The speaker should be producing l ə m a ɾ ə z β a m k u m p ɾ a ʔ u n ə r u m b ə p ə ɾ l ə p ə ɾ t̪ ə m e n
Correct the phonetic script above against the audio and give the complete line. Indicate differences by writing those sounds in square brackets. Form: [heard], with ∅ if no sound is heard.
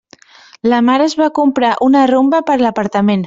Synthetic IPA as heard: l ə m a ɾ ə z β a [∅] k u m p ɾ a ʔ u n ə r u m b ə p ə ɾ l ə p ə ɾ t̪ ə m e n